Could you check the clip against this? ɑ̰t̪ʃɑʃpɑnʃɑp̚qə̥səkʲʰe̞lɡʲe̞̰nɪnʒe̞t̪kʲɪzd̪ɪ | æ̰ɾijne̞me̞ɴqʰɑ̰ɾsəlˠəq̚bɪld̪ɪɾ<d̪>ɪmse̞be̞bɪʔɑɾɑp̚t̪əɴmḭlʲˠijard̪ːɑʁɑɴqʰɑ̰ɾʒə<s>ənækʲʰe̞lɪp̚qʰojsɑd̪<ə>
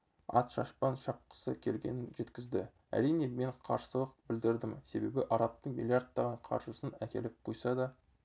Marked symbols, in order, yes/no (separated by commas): yes, yes, no